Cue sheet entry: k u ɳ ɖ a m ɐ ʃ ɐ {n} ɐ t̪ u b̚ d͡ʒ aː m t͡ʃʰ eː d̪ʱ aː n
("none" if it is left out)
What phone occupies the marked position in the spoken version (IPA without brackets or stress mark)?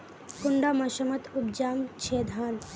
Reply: m